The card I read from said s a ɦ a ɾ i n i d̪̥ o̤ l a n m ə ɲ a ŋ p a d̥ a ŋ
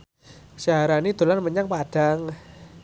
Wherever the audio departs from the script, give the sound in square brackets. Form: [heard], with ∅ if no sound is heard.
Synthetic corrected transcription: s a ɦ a ɾ [a] n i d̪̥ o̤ l a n m ə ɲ a ŋ p a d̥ a ŋ

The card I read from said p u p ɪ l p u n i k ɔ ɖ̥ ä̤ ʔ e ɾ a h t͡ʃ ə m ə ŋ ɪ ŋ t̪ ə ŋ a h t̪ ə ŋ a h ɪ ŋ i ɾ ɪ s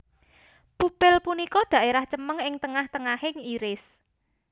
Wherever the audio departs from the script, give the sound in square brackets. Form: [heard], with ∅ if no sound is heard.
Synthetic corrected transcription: p u p ɪ l p u n i k ɔ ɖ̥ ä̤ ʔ e ɾ a h t͡ʃ ə m ə ŋ ɪ ŋ t̪ ə ŋ a h t̪ ə ŋ a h ɪ ŋ i ɾ ɪ s

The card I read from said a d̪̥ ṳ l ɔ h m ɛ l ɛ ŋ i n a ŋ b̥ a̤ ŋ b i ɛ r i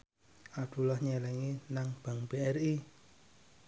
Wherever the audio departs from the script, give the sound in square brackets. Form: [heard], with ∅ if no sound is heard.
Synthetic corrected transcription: a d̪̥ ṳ l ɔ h [ɲ] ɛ l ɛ ŋ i n a ŋ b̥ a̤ ŋ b [e] ɛ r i

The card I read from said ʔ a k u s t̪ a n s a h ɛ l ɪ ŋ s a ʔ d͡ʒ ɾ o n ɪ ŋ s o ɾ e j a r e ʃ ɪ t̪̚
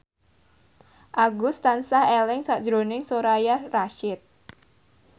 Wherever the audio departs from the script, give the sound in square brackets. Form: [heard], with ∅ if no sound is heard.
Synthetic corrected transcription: ʔ a [ɡ] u s t̪ a n s a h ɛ l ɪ ŋ s a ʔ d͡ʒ ɾ o n ɪ ŋ s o ɾ [a] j a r [a] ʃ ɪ t̪̚

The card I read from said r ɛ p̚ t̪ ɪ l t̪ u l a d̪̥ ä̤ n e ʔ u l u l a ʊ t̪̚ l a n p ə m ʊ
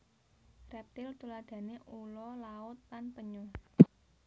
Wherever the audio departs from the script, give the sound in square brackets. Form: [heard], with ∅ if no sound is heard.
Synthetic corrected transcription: r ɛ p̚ t̪ ɪ l t̪ u l a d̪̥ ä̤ n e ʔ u l [ɔ] l a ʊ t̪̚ l a n p ə [ɲ] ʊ

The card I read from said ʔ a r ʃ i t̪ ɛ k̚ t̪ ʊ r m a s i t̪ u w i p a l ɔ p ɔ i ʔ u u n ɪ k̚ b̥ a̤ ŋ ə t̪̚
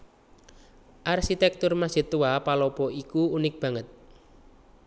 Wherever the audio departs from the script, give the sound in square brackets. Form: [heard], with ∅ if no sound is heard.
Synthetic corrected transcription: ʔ a r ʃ i t̪ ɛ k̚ t̪ ʊ r m a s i t̪ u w [a] p a l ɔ p ɔ i [k] u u n ɪ k̚ b̥ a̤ ŋ ə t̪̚

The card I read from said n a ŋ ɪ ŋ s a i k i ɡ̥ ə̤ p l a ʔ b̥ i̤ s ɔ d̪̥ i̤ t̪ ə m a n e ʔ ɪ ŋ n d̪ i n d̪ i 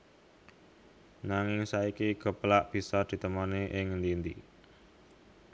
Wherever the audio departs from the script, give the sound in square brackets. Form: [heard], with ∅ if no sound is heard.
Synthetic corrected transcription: n a ŋ ɪ ŋ s a i k i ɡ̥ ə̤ p l a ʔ b̥ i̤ s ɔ d̪̥ i̤ t̪ ə m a n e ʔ ɪ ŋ n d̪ i n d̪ i

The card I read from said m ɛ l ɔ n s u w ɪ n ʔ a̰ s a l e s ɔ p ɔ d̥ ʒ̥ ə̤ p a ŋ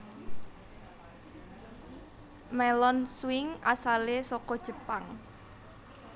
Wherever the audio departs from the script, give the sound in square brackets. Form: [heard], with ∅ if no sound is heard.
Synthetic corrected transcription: m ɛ l ɔ n s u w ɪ [ŋ] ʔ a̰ s a l e s ɔ [k] ɔ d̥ ʒ̥ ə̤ p a ŋ

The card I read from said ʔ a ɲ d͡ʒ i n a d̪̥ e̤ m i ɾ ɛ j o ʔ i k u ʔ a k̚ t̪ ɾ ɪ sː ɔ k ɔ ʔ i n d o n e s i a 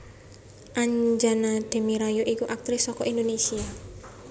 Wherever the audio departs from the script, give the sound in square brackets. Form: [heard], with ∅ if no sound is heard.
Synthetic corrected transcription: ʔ a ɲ d͡ʒ [a] n a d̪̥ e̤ m i ɾ [a] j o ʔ i k u ʔ a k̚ t̪ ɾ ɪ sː ɔ k ɔ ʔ i n d o n e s i a

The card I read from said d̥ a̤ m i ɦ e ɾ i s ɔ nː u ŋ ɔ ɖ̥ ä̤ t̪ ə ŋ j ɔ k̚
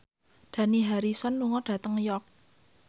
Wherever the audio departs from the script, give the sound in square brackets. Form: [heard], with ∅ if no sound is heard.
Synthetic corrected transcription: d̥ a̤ [n] i ɦ [a] ɾ i s ɔ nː u ŋ ɔ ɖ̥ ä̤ t̪ ə ŋ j ɔ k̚

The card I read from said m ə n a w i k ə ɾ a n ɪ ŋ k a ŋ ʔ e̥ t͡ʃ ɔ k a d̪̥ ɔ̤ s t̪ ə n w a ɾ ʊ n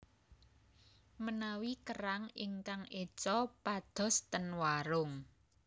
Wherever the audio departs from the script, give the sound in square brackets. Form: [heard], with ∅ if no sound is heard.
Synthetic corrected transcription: m ə n a w i k ə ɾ a [ŋ] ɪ ŋ k a ŋ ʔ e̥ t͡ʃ ɔ [p] a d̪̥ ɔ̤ s t̪ ə n w a ɾ ʊ [ŋ]

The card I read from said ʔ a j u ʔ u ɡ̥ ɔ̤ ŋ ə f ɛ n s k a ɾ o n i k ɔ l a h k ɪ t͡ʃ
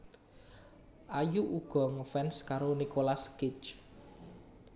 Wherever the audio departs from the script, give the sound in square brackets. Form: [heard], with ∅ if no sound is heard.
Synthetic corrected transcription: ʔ a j u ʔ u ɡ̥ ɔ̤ ŋ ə f ɛ n s k a ɾ o n i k [o] l a [s] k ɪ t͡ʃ

